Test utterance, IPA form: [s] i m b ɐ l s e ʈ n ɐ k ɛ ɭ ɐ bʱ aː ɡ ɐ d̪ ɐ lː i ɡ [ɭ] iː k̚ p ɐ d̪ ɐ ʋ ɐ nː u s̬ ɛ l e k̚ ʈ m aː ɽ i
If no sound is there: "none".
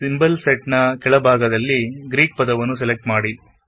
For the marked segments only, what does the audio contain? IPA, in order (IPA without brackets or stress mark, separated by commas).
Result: s, ɾ